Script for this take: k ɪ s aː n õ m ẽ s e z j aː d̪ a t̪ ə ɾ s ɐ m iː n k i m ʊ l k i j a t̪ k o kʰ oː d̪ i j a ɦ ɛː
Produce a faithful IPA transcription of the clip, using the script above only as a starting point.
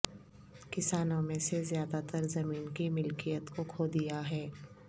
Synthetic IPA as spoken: k ɪ s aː n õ m ẽ s e z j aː d̪ a t̪ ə ɾ z ɐ m iː n k i m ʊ l k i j ə t̪ k o kʰ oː d̪ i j a ɦ ɛː